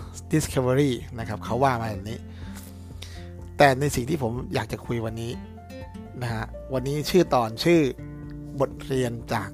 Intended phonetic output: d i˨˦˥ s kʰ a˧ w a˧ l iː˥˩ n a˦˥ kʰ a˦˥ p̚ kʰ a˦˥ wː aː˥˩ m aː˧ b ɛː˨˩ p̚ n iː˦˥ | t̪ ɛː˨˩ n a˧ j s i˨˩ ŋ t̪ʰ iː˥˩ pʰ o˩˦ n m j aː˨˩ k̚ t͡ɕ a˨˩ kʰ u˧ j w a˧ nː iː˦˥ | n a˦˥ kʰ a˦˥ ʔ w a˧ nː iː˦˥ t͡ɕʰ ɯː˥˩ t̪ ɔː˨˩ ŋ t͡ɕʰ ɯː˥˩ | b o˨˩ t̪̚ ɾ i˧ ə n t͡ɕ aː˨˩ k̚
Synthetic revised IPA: d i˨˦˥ s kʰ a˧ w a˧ ɾ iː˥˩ n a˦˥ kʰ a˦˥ p̚ kʰ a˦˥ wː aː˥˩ m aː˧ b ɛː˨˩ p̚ n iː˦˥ | t̪ ɛː˨˩ n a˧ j s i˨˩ ŋ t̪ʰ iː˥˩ pʰ o˩˦ m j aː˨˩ k̚ t͡ɕ a˨˩ kʰ u˧ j w a˧ nː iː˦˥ | n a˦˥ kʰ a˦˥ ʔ w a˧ nː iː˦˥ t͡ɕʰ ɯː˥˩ t̪ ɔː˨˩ n t͡ɕʰ ɯː˥˩ | b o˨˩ t̪̚ ɾ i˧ ə n t͡ɕ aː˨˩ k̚